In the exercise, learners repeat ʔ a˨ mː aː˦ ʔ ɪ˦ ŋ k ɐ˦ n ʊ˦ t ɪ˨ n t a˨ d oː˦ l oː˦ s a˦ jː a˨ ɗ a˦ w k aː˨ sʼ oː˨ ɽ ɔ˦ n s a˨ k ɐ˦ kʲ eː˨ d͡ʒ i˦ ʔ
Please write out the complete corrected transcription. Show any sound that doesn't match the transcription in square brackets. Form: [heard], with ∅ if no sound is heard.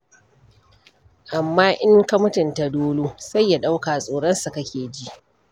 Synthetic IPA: ʔ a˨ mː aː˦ ʔ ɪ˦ ŋ k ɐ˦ [m] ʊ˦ t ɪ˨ n t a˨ d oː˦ l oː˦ s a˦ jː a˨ ɗ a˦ w k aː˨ sʼ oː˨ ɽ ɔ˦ n s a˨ k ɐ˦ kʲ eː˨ d͡ʒ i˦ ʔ